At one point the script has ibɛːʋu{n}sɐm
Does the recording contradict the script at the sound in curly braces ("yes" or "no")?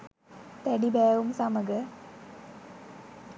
yes